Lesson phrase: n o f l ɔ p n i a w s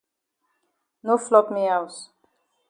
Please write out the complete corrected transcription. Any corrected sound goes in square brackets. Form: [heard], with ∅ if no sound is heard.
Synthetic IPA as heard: n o f l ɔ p [m] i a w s